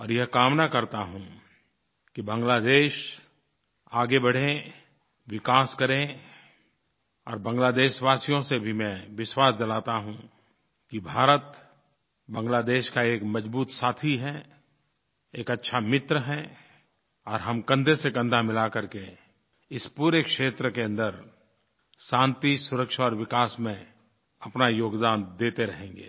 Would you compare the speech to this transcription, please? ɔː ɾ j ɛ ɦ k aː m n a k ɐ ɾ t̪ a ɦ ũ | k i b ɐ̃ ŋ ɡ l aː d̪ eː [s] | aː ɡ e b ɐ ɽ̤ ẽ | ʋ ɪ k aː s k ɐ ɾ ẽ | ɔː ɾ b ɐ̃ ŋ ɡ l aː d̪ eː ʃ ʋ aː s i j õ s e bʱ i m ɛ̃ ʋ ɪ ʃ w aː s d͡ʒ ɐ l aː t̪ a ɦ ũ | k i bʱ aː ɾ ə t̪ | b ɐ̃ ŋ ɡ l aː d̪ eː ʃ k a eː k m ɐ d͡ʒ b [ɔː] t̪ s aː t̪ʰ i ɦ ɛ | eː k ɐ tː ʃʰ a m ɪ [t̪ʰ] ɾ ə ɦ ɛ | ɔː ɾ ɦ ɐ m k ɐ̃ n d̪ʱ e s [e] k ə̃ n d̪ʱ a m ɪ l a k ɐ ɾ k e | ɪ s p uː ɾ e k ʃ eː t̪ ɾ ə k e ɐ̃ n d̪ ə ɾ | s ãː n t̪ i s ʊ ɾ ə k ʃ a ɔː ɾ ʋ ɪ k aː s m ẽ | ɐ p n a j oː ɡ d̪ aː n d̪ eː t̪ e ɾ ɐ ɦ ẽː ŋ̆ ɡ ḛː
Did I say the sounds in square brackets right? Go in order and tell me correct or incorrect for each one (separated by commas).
incorrect, incorrect, incorrect, correct